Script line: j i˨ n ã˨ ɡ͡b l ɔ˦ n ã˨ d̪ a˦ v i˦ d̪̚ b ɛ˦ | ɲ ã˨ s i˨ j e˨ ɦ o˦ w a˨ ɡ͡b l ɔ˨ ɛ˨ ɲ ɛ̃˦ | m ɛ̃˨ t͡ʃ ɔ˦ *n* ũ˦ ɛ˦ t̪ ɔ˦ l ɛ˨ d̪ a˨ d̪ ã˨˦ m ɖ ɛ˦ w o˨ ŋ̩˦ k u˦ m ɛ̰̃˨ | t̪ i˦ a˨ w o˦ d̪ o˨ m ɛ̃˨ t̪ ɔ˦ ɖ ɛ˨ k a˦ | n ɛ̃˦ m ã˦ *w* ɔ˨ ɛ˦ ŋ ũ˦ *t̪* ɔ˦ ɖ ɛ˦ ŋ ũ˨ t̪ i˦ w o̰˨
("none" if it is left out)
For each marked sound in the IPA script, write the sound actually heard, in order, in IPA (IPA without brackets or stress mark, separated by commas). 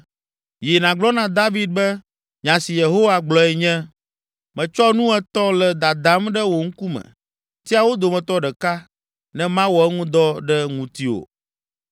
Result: n, w, d̪